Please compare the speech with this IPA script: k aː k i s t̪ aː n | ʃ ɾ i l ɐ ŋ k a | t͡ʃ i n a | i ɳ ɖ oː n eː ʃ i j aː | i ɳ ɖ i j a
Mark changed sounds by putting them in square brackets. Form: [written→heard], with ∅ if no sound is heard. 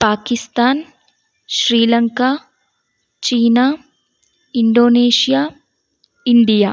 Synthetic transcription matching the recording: [k→p] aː k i s t̪ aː n | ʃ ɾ [i→iː] l ɐ ŋ k a | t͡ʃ [i→iː] n a | i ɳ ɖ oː n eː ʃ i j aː | i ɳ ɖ i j a

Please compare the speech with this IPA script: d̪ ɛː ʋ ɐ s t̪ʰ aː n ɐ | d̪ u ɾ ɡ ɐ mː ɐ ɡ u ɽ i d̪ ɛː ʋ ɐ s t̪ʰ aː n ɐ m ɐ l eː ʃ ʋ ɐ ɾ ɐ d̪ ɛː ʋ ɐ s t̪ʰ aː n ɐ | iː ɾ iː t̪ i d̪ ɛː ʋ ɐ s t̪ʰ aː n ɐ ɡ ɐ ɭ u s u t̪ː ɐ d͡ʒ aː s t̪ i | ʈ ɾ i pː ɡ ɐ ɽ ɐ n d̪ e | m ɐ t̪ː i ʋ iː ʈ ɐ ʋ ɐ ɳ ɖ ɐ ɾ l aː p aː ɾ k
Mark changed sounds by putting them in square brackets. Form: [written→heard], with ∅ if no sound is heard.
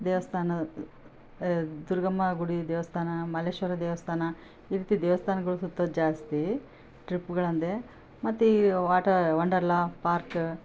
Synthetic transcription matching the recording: d̪ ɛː ʋ ɐ s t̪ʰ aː n ɐ | d̪ u ɾ ɡ ɐ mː ɐ ɡ u ɽ i d̪ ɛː ʋ ɐ s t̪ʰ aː n ɐ m ɐ l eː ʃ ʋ ɐ ɾ ɐ d̪ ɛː ʋ ɐ s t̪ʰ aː n ɐ | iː ɾ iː t̪ i d̪ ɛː ʋ ɐ s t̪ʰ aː n ɐ ɡ ɐ ɭ u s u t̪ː ɐ d͡ʒ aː s t̪ i | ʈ ɾ i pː ɡ ɐ [ɽ→ɭ] ɐ n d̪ e | m ɐ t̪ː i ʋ [iː→aː] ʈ ɐ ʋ ɐ ɳ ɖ ɐ ɾ l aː p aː ɾ k

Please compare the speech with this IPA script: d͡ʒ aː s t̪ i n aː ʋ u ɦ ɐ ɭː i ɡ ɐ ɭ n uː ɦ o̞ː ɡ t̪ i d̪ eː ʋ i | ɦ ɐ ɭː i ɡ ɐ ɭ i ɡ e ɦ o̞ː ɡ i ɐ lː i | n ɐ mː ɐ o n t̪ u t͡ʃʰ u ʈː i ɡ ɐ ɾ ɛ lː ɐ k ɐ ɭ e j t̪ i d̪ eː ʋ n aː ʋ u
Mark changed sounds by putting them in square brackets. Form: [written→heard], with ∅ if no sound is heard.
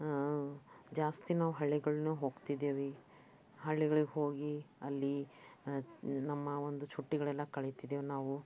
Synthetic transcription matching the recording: d͡ʒ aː s t̪ i n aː ʋ u ɦ ɐ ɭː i ɡ ɐ ɭ n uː ɦ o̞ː ɡ t̪ i d̪ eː ʋ i | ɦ ɐ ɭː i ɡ ɐ ɭ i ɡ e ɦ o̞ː ɡ i ɐ lː i | n ɐ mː ɐ o n [t̪→d̪] u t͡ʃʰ u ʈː i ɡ ɐ [ɾ→ɭ] ɛ lː ɐ k ɐ ɭ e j t̪ i d̪ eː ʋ n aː ʋ u

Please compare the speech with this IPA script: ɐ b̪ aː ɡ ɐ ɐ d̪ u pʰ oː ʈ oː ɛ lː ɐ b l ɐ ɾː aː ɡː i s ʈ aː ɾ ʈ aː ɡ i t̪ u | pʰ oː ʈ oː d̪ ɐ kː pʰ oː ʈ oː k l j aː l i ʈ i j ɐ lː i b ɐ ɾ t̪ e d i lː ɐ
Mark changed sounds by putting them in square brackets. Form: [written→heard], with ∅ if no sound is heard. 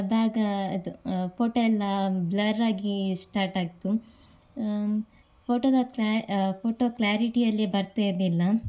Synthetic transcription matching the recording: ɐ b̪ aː ɡ ɐ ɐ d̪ u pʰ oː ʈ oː ɛ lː ɐ b l ɐ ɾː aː [ɡː→ɡ] i s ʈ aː ɾ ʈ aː ɡ i t̪ u | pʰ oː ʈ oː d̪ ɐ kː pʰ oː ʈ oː k l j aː [l→ɾ] i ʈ i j ɐ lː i b ɐ ɾ t̪ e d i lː ɐ

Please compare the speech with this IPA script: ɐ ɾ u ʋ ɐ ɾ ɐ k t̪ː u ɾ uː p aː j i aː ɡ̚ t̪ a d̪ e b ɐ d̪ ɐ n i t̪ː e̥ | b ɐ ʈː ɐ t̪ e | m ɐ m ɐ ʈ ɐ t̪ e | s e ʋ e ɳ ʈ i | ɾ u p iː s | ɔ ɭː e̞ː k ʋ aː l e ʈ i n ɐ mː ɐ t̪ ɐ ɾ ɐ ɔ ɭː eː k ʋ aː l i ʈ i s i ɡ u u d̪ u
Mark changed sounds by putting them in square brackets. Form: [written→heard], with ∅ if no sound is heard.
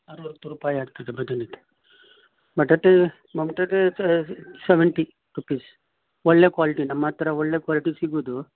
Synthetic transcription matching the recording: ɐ ɾ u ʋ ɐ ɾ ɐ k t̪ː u ɾ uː p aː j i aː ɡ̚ t̪ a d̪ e b ɐ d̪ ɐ n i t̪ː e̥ | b ɐ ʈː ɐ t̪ e | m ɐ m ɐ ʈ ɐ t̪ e | s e ʋ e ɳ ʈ i | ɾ u p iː s | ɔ ɭː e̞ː k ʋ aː l [e→i] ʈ i n ɐ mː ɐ t̪ ɐ ɾ ɐ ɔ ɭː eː k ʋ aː l i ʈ i s i ɡ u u d̪ u

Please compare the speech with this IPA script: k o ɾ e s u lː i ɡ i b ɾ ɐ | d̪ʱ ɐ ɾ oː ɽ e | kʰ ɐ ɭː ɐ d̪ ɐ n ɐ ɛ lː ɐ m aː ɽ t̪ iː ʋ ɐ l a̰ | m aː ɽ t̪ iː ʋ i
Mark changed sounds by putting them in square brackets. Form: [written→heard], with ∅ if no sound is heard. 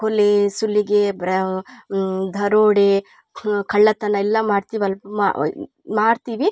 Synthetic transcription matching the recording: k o [ɾ→l] e s u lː i ɡ [i→e] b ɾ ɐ | d̪ʱ ɐ ɾ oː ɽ e | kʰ ɐ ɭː ɐ [d̪→t̪] ɐ n ɐ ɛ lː ɐ m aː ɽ t̪ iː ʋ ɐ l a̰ | m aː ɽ t̪ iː ʋ i

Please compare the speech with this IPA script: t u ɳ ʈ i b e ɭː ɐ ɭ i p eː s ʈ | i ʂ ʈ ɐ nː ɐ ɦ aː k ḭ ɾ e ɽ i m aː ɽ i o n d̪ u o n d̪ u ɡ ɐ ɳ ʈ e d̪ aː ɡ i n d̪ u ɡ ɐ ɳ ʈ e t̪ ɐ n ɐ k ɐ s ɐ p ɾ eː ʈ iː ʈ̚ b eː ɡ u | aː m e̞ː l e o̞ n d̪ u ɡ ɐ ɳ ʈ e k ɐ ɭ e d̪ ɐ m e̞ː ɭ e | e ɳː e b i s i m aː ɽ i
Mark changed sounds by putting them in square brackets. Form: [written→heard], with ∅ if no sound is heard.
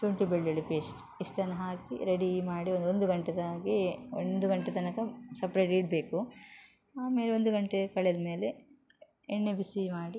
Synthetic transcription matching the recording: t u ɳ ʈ i b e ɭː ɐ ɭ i p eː s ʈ | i ʂ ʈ ɐ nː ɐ ɦ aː k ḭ ɾ e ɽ i m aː ɽ i o n d̪ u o n d̪ u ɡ ɐ ɳ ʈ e d̪ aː ɡ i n d̪ u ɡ ɐ ɳ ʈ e t̪ ɐ n ɐ k ɐ s ɐ p ɾ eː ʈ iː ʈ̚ b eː [ɡ→k] u | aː m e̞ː l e o̞ n d̪ u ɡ ɐ ɳ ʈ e k ɐ ɭ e d̪ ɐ m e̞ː [ɭ→l] e | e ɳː e b i s i m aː ɽ i

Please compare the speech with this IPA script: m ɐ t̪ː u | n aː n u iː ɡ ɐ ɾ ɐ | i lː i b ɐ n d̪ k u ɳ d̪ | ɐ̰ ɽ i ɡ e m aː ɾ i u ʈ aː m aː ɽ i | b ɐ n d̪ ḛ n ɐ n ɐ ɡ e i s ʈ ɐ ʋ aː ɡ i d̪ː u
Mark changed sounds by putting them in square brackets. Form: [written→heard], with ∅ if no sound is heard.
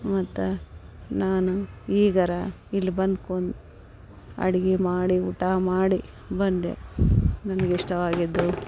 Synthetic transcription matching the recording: m ɐ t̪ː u | n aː n u iː ɡ ɐ ɾ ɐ | i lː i b ɐ n d̪ k [u→o] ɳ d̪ | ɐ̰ ɽ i ɡ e m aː [ɾ→ɽ] i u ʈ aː m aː ɽ i | b ɐ n d̪ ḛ n ɐ n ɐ ɡ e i [s→ʂ] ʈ ɐ ʋ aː ɡ i d̪ː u

